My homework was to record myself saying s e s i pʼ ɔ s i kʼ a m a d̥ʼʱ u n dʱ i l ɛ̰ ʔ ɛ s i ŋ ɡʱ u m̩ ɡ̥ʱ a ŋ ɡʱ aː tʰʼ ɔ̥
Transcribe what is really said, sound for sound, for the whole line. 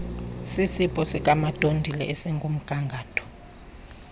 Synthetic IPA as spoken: s i s i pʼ ɔ s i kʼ a m a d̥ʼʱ o n dʱ i l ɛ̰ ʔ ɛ s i ŋ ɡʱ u m̩ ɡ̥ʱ a ŋ ɡʱ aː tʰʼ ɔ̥